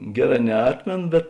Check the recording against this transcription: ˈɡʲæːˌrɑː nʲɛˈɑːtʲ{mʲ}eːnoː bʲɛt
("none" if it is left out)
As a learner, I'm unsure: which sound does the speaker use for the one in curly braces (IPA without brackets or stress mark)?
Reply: mʲ